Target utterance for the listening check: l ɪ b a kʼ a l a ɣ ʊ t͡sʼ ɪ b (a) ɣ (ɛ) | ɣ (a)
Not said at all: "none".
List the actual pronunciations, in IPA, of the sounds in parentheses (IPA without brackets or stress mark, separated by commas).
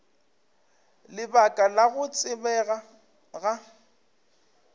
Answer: ɛ, a, a